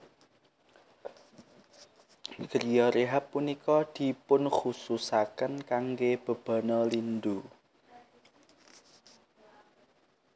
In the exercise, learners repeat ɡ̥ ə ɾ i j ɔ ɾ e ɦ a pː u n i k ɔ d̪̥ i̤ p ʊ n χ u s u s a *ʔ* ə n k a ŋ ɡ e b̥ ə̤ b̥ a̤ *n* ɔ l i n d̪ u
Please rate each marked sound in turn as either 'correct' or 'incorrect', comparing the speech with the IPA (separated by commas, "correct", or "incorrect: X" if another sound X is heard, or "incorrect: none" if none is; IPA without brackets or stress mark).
incorrect: k, correct